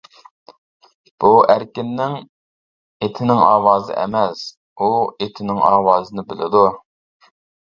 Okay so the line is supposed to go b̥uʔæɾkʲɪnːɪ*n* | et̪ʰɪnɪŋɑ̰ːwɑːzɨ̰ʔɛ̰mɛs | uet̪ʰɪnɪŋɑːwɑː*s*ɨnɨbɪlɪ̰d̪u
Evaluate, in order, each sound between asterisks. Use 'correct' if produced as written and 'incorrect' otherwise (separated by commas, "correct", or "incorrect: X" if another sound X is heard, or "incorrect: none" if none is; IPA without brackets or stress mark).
incorrect: ŋ, incorrect: z